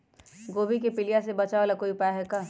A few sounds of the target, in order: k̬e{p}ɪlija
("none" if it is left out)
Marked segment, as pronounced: p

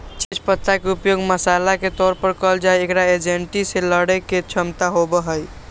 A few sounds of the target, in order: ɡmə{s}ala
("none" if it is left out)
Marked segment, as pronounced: s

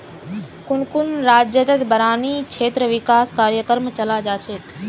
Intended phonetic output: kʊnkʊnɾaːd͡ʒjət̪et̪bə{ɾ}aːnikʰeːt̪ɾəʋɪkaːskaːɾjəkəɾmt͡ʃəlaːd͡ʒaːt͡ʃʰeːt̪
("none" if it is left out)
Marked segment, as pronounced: ɾ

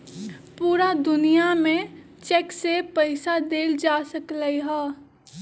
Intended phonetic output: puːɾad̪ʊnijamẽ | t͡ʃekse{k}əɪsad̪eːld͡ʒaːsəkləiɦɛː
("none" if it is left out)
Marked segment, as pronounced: p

